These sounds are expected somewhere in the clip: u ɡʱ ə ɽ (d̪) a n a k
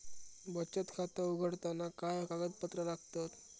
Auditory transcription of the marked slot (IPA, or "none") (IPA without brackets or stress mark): t̪